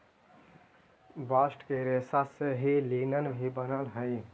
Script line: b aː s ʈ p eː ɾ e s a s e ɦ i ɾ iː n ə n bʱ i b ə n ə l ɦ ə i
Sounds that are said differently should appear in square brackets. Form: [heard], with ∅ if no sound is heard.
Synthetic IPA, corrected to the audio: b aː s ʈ [k] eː ɾ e s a s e ɦ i [l] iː n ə n bʱ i b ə n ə l ɦ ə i